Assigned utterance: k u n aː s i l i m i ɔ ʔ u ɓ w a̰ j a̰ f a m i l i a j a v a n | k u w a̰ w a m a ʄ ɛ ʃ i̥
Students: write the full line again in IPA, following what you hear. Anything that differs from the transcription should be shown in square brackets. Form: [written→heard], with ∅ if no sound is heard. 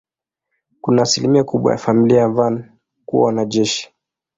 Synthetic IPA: k u n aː s i l i m i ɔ [ʔ→k] u ɓ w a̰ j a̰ f a m i l i a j a v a n | k u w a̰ w a [m→n] a ʄ ɛ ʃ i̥

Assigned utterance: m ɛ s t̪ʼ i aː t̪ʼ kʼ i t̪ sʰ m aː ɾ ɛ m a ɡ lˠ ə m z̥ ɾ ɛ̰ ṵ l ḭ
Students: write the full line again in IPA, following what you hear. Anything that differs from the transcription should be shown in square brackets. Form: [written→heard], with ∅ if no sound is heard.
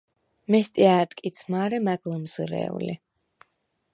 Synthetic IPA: m ɛ s t̪ʼ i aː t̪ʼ kʼ i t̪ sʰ m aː ɾ ɛ m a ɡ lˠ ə m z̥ ɾ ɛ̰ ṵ l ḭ

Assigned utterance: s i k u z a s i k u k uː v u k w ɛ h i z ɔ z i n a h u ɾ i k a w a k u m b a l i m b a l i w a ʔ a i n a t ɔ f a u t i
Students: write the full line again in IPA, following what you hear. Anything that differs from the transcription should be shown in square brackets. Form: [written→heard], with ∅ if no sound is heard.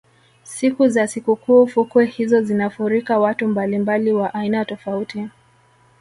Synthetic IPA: s i k u z a s i k u k uː [v→f] u k w ɛ h i z ɔ z i n a [h→f] u ɾ i k a w a [k→t] u m b a l i m b a l i w a ʔ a i n a t ɔ f a u t i

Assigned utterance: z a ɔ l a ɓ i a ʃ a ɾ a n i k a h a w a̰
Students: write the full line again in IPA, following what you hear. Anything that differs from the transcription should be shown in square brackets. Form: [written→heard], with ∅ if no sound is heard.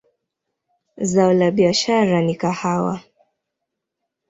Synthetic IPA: z a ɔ l a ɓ i a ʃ a ɾ a n i k a h a w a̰

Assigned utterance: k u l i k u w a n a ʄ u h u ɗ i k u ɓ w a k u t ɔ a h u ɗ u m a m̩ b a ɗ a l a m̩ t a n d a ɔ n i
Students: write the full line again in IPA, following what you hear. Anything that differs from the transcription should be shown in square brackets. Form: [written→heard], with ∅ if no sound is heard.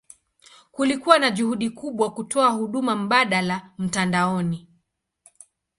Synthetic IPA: k u l i k u w a n a ʄ u h u ɗ i k u ɓ w a k u t ɔ a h u ɗ u m a m̩ [b→ɓ] a ɗ a l a m̩ t a n d a ɔ n i

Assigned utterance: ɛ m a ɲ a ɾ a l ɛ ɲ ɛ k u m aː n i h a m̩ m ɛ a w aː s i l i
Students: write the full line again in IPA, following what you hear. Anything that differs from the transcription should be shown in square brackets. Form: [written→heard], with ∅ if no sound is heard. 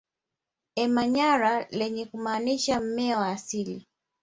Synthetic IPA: ɛ m a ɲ a ɾ a l ɛ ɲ ɛ k u m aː n i [h→ʃ] a m̩ m ɛ a w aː s i l i

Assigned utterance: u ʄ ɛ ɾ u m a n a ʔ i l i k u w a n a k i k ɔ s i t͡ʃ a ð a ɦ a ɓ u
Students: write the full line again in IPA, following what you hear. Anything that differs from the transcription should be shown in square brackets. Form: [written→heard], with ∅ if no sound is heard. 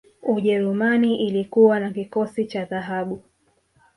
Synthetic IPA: u ʄ ɛ ɾ u m a n [a→i] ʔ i l i k u w a n a k i k ɔ s i t͡ʃ a ð a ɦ a ɓ u

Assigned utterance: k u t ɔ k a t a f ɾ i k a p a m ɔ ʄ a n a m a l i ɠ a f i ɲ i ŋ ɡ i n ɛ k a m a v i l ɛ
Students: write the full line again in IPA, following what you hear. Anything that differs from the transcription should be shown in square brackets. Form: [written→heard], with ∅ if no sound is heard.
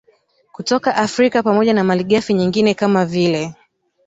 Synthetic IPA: k u t ɔ k a [t→ʔ] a f ɾ i k a p a m ɔ ʄ a n a m a l i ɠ a f i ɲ i ŋ ɡ i n ɛ k a m a v i l ɛ

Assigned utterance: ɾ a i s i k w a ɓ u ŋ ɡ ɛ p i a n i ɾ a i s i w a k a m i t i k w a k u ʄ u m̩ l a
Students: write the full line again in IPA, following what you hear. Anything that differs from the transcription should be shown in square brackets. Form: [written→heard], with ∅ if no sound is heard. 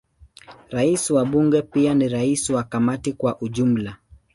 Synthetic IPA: ɾ a i s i [k→∅] w a ɓ u ŋ ɡ ɛ p i a n i ɾ a i s i w a k a m [i→a] t i k w a [k→ʔ] u ʄ u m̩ l a

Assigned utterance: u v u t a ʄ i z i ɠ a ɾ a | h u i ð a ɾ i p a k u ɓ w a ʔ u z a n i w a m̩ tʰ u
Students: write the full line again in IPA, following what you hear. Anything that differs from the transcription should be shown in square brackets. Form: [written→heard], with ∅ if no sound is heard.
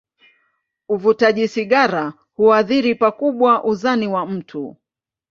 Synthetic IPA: u v u t a ʄ i [z→s] i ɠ a ɾ a | h u [i→a] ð [a→i] ɾ i p a k u ɓ w a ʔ u z a n i w a m̩ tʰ u

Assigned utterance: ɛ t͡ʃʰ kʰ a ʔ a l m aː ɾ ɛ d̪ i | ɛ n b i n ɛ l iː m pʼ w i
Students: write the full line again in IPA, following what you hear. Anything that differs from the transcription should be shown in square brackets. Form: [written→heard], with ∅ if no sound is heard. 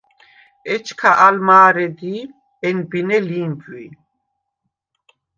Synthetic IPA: ɛ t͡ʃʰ kʰ a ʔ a l m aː ɾ ɛ d̪ i | ɛ n b i n ɛ l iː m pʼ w i

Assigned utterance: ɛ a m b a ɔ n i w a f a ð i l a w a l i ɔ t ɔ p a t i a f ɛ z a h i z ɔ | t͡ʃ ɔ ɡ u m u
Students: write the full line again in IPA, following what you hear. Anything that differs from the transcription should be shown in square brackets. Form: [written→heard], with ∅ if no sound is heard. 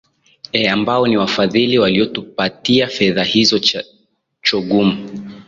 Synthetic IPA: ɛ a m b a ɔ n i w a f a ð i l [a→i] w a l i ɔ t [ɔ→u] p a t i a f ɛ [z→ð] a h i z ɔ | t͡ʃ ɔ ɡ u m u

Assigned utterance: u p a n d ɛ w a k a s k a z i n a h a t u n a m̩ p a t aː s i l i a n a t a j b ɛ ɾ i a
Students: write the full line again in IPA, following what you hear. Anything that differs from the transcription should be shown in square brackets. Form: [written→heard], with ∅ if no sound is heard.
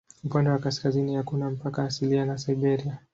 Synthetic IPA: u p a n d ɛ w a k a s k a z i n [a→i] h a [t→k] u n a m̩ p a [t→k] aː s i l i a n a [t→s] a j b ɛ ɾ i a

